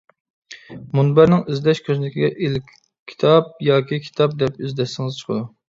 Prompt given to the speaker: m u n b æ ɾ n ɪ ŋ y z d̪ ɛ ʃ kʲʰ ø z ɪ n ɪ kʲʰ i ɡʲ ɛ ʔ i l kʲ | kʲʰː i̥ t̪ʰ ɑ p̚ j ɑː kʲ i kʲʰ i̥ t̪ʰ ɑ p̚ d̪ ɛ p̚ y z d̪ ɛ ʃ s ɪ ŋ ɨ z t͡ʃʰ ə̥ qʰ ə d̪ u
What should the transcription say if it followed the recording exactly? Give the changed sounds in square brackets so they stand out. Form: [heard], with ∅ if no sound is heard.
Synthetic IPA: m u n b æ ɾ n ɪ ŋ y z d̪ ɛ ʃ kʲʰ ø z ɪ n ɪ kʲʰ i ɡʲ ɛ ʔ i l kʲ | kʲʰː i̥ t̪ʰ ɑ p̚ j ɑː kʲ i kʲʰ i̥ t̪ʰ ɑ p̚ d̪ ɛ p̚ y z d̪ ɛ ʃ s ɪ ŋ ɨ z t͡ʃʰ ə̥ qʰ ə d̪ u